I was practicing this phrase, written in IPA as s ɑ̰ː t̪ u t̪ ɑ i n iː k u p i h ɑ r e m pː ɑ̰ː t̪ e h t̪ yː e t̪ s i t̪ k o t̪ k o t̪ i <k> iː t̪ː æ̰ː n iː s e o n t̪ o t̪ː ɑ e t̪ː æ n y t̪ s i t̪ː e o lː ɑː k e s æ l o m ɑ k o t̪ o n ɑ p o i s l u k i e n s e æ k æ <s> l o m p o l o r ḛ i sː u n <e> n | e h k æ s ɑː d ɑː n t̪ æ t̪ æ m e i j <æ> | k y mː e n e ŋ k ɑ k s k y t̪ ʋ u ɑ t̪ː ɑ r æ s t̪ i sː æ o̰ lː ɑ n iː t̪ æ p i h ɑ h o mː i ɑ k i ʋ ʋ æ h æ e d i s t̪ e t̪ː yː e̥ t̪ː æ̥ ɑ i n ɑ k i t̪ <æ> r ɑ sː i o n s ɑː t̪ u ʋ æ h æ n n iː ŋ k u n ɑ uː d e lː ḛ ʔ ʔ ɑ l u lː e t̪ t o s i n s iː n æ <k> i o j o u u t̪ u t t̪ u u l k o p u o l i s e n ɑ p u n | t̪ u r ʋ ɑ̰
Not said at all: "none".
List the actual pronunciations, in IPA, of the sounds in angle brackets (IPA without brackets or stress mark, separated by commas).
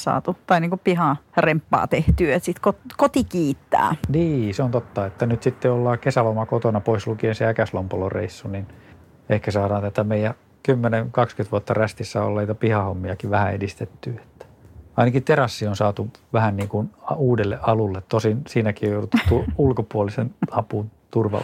k, s, i, æ, e, k